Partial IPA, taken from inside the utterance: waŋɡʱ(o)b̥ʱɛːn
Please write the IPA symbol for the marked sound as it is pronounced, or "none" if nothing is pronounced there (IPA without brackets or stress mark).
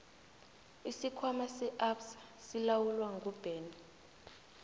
u